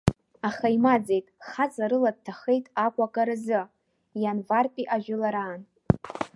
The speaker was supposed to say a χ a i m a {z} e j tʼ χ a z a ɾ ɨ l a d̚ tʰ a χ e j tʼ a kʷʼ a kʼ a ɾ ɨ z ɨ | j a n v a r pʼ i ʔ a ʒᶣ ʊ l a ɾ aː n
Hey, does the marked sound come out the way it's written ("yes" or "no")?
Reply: no